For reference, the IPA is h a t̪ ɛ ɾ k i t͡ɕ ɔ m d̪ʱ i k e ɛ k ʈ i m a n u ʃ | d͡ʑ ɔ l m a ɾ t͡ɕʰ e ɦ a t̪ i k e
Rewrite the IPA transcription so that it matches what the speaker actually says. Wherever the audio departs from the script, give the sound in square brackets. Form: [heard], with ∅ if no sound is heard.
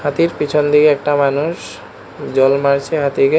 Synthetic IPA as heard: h a t̪ [i] ɾ [p] i [t͡ɕʰ] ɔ [n] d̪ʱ i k e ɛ k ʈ [a] m a n u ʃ | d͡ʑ ɔ l m a ɾ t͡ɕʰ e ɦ a t̪ i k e